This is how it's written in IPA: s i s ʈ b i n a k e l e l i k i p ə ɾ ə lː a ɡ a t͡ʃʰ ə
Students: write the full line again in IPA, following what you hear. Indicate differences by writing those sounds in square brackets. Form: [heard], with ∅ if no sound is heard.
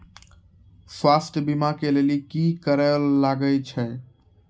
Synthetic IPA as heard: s [a] s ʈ b i [m] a k e l e l i k i [k] ə ɾ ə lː a ɡ [ə] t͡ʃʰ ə